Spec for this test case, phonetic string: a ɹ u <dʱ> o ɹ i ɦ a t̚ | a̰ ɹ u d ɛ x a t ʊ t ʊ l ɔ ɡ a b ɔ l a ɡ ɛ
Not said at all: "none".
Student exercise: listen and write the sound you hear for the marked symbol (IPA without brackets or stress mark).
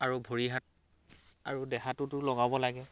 bʱ